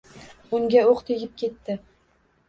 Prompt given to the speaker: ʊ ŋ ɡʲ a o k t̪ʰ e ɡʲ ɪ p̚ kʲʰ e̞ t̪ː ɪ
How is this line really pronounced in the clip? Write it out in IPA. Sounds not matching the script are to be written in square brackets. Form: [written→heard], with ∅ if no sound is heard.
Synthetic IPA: ʊ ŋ ɡʲ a o [k→q] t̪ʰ e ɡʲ ɪ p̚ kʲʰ e̞ t̪ː ɪ